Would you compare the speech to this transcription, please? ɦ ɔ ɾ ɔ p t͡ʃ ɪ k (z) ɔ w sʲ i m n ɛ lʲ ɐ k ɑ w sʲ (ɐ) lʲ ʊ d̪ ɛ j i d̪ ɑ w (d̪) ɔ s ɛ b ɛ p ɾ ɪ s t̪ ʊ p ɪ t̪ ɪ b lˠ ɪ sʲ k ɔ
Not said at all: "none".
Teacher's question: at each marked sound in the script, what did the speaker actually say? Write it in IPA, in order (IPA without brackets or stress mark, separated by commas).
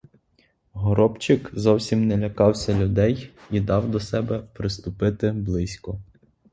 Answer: z, ɐ, d̪